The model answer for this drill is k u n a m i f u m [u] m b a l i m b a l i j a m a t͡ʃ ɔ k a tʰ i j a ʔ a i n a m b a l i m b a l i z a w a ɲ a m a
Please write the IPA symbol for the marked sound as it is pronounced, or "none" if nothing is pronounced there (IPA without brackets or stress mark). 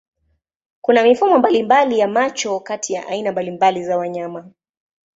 ɔ